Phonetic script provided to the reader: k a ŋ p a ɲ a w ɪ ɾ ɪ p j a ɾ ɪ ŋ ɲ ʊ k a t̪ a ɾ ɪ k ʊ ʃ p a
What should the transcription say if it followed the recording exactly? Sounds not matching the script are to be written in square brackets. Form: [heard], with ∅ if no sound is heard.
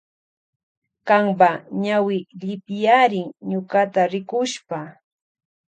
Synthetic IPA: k a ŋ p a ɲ a w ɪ [ʎ] ɪ p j a ɾ ɪ ŋ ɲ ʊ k a t̪ a ɾ ɪ k ʊ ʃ p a